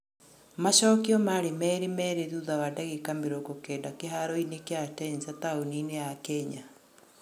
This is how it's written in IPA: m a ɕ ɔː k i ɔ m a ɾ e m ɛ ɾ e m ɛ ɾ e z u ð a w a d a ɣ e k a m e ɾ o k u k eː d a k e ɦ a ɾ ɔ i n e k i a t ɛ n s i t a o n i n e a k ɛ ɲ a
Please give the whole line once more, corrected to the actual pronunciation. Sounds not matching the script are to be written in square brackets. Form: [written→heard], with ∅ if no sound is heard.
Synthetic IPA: m a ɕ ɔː k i ɔ m a ɾ e m ɛ ɾ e m ɛ ɾ e [z→ð] u ð a w a d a ɣ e k a m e ɾ o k [u→o] k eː d a k e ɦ a ɾ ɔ i n e k [i→e] a t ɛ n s [i→a] t a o n i n e a k ɛ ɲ a

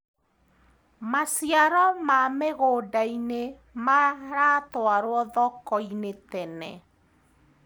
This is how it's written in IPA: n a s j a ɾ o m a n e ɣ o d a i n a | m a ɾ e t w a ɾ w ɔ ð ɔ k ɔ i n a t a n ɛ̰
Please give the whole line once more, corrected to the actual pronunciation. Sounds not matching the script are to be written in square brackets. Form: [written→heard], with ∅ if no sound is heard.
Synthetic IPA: [n→m] a s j a ɾ [o→ɔ] m a [n→m] e ɣ o d a i n [a→e] | m a ɾ [e→a] t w a ɾ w ɔ ð ɔ k ɔ i n [a→e] t [a→ɛ] n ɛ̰

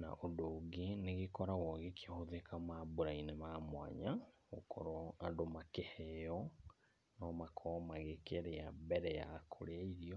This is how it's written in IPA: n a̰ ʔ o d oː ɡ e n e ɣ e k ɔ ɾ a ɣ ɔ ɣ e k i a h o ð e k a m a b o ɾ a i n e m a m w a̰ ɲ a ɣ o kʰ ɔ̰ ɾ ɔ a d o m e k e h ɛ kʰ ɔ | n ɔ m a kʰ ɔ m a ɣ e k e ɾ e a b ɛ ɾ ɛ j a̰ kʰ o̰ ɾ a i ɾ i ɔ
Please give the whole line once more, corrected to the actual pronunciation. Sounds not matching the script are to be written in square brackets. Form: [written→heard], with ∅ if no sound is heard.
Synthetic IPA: n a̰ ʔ o d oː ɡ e n e ɣ e k ɔ ɾ a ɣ ɔ ɣ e k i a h o ð e k a m a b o ɾ a i n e m a m w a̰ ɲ a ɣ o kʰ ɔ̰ ɾ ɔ a d o m [e→a] k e h ɛ [kʰ→∅] ɔ | n ɔ m a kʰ ɔ m a ɣ e k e ɾ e a b ɛ ɾ ɛ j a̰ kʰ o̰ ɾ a i ɾ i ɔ

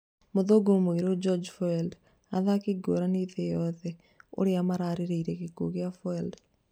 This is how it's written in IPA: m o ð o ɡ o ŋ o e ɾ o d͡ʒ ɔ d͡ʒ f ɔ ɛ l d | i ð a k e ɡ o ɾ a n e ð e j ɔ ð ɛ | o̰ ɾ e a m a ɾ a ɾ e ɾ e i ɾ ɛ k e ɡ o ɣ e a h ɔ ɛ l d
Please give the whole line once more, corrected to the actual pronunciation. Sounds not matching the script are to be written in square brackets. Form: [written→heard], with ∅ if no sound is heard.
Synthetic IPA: m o ð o ɡ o [ŋ→m] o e ɾ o d͡ʒ ɔ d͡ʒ f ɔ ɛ l d | [i→a] ð a k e ɡ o ɾ a n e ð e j ɔ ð ɛ | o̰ ɾ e a m a ɾ a ɾ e ɾ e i ɾ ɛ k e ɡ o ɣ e a [h→f] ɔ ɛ l d

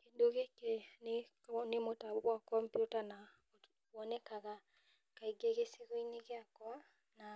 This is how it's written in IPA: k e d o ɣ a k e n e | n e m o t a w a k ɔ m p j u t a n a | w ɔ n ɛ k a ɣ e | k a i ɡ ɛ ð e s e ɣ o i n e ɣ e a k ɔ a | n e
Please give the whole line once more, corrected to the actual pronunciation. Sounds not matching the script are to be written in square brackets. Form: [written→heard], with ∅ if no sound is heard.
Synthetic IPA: k e d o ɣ [a→e] k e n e | n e m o t a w a k ɔ m p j u t a n a | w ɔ n ɛ k a ɣ [e→a] | k a i ɡ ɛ [ð→ɣ] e s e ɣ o i n e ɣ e a k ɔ a | n [e→a]

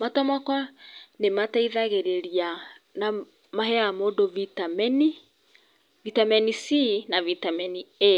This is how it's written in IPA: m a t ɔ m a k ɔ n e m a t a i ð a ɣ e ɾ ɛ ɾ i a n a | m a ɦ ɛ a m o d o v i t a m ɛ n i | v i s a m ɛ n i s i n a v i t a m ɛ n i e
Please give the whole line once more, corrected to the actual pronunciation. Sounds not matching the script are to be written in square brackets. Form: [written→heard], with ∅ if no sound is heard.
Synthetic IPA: m a t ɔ m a k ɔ n e m a t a i ð a ɣ e ɾ [ɛ→e] ɾ i a n a | m a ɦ ɛ a m o d o v i t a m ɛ n i | v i [s→t] a m ɛ n i s i n a v i t a m ɛ n i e

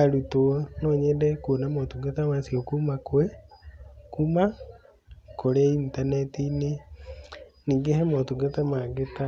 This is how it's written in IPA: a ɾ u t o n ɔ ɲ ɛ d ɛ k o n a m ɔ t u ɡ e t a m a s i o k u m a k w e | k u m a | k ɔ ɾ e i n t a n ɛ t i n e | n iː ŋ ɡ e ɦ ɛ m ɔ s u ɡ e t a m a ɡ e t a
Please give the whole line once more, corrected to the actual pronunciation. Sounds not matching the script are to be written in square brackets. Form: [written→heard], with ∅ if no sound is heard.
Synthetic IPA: a ɾ u t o n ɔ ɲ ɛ d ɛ k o n a m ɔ t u ɡ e t a m a s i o k u m a k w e | k u m a | k [ɔ→o] ɾ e i n t a n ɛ t i n e | n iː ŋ ɡ e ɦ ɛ m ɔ [s→t] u ɡ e t a m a ɡ e t a

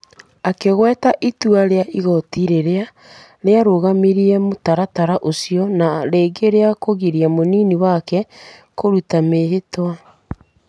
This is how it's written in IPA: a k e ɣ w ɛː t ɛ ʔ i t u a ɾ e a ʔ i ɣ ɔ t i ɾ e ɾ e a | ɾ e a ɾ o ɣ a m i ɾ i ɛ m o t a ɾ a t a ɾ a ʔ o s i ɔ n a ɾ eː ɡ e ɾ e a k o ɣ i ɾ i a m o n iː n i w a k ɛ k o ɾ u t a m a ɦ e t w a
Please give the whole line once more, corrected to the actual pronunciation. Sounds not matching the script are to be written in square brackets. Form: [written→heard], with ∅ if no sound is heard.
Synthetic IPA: a k e ɣ w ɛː t [ɛ→a] ʔ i t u a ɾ e a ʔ i ɣ ɔ t i ɾ e ɾ e a | ɾ e a ɾ o ɣ a m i ɾ i ɛ m o t a ɾ a t a ɾ a ʔ o s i ɔ n a ɾ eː ɡ e ɾ e a k o ɣ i ɾ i a m o n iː n i w a k ɛ k o ɾ u t a m [a→e] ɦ e t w a

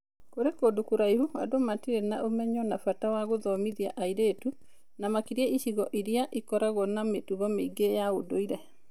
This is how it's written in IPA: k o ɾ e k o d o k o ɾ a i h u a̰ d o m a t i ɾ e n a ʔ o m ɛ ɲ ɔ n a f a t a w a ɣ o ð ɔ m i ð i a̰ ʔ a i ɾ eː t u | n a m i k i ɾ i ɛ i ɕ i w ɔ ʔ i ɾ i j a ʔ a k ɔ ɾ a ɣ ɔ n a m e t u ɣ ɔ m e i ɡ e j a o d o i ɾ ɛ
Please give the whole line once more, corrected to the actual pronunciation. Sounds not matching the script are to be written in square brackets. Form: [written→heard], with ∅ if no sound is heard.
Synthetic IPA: k o ɾ e k o d o k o ɾ a i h u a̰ d o m a t i ɾ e n a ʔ o m ɛ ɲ ɔ n a f a t a w a ɣ o ð ɔ m i ð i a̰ ʔ a i ɾ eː t u | n a m [i→a] k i ɾ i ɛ i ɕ i [w→ɣ] ɔ ʔ i ɾ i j a ʔ [a→i] k ɔ ɾ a ɣ ɔ n a m e t u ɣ ɔ m e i ɡ e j a o d o i ɾ ɛ

